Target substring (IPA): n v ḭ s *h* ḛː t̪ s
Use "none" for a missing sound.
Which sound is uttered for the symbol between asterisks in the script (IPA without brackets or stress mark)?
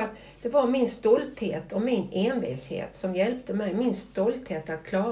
h